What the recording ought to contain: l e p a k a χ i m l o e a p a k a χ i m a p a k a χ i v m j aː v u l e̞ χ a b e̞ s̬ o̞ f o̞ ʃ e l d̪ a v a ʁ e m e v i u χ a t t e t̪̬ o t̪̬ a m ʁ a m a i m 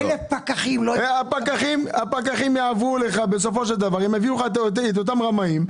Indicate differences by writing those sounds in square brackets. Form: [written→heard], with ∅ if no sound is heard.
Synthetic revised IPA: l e p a k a χ i m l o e a p a k a χ i m a p a k a χ i [v→∅] m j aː v u l e̞ χ a b e̞ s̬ o̞ f o̞ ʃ e l d̪ a v a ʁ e m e v i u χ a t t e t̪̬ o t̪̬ a m ʁ a m a i m